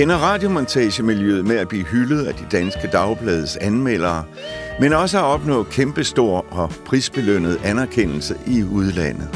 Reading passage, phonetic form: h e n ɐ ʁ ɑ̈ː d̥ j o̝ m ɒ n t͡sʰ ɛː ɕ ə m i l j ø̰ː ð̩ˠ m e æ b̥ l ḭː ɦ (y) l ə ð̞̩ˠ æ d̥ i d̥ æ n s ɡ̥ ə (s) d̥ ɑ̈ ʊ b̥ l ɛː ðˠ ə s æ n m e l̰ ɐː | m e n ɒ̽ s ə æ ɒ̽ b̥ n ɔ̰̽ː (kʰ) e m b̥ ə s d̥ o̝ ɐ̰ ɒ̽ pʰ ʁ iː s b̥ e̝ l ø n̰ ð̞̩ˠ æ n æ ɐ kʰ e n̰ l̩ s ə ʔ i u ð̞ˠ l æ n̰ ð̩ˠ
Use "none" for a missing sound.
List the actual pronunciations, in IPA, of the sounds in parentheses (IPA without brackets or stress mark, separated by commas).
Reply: y, none, kʰ